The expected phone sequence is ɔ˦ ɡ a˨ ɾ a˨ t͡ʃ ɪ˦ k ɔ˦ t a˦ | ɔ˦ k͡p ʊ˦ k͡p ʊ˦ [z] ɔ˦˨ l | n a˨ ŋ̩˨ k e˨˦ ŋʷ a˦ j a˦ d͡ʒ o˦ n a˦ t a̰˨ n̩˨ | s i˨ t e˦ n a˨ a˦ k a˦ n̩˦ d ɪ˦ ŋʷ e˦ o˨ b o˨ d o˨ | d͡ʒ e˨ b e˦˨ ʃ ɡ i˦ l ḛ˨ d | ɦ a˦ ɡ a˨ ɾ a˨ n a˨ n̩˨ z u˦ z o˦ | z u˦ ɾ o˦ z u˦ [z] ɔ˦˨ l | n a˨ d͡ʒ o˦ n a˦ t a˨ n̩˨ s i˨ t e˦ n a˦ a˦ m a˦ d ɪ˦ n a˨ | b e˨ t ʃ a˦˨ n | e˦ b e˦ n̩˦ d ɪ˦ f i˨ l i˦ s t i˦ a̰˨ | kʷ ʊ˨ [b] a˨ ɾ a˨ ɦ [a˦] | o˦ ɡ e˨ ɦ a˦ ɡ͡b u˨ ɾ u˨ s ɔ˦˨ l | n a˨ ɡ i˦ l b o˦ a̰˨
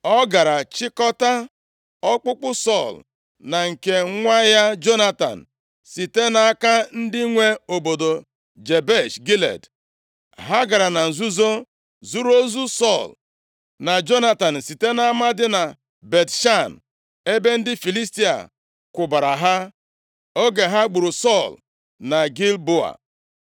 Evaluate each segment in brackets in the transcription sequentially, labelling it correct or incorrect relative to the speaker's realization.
incorrect: s, incorrect: s, correct, correct

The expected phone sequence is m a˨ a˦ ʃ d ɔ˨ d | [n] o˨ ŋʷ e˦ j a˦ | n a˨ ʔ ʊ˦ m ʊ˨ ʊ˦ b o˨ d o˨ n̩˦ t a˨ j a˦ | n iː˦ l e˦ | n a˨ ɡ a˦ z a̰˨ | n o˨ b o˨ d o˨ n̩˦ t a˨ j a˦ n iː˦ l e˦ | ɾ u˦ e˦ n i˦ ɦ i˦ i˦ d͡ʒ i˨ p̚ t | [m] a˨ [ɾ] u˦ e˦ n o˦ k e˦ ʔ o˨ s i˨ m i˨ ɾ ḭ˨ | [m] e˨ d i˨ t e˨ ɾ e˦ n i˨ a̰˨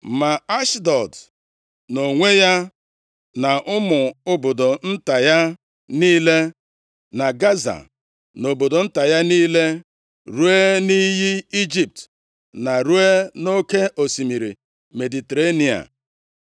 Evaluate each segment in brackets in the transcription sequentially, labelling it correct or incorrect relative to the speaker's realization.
correct, incorrect: n, correct, correct

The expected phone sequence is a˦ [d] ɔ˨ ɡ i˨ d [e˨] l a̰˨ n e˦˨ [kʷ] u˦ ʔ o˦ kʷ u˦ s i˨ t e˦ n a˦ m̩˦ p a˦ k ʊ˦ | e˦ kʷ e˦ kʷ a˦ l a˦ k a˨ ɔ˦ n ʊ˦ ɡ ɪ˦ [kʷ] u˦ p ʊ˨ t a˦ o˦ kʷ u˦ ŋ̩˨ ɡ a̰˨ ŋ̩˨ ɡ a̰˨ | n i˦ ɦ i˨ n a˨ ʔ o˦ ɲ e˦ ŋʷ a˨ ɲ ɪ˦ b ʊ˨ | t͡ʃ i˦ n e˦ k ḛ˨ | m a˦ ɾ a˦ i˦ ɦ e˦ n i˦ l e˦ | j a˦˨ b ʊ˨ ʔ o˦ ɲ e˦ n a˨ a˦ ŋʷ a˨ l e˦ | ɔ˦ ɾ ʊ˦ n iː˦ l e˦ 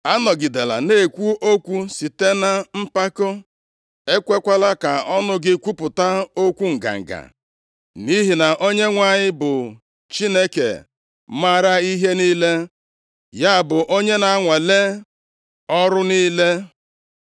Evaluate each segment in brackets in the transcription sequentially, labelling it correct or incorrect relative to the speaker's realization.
incorrect: n, correct, correct, correct

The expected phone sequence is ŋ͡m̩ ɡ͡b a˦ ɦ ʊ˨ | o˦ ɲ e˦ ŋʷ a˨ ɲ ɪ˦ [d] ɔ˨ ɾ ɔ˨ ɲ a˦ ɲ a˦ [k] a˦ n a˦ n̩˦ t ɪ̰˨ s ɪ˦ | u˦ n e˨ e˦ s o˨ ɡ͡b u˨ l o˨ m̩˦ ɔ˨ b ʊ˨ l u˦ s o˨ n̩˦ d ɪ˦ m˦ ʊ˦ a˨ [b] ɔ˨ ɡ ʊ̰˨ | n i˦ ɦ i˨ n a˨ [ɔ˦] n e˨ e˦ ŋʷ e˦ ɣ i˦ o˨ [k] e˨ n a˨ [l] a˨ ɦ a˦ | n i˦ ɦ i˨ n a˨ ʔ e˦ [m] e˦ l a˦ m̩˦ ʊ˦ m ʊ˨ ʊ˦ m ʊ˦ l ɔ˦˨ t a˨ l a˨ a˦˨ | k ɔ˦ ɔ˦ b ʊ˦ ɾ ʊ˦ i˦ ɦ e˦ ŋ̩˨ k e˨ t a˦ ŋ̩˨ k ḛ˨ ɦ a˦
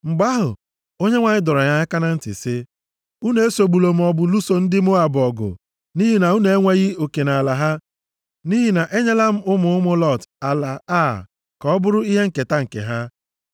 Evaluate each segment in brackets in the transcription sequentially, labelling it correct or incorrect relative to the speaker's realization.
correct, correct, correct, incorrect: u˦, correct, correct, incorrect: ɲ

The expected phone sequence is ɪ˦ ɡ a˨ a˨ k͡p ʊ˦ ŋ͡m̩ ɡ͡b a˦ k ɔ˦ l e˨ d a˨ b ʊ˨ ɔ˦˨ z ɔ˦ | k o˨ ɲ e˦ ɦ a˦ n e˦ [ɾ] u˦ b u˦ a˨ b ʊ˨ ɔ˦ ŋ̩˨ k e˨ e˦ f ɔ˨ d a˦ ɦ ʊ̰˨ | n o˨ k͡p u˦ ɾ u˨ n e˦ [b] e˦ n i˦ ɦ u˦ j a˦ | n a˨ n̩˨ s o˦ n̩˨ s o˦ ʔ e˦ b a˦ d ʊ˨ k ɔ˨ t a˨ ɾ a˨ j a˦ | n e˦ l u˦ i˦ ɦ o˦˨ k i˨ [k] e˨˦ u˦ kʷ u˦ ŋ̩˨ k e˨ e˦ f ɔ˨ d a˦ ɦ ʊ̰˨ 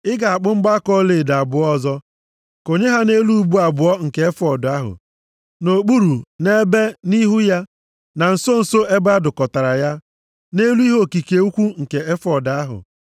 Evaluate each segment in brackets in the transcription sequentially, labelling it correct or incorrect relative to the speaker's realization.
incorrect: l, correct, correct

